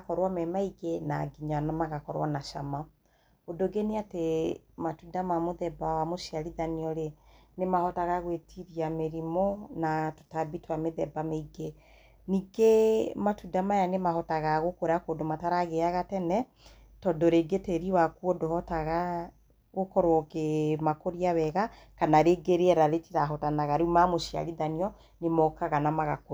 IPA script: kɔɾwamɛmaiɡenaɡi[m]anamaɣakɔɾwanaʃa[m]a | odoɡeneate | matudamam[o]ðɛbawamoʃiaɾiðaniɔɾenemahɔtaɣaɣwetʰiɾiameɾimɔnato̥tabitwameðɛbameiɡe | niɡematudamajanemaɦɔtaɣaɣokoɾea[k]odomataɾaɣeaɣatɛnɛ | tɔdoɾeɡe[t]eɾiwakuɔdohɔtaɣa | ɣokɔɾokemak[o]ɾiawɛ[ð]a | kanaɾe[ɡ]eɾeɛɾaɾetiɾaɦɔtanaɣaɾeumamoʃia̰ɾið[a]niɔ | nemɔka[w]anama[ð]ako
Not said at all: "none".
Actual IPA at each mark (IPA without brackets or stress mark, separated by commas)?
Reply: ɲ, m, o, k, t, o, ɣ, ɡ, a, ɣ, ɣ